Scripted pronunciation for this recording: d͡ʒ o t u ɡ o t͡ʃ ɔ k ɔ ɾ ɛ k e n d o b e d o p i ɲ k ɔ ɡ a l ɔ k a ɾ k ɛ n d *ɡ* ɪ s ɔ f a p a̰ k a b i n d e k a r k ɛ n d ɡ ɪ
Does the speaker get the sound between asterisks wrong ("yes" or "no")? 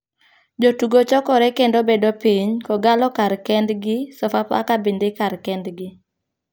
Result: no